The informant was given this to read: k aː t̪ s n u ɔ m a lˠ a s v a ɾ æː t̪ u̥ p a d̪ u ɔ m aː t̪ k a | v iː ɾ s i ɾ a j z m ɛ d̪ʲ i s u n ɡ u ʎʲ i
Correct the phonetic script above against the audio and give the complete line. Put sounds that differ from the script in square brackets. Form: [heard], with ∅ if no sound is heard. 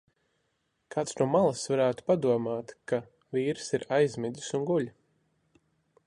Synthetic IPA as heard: k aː t̪ s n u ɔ m a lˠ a s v a ɾ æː t̪ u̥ p a d̪ u ɔ m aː t̪ k a | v iː ɾ s i ɾ a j z m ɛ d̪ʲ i s u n ɡ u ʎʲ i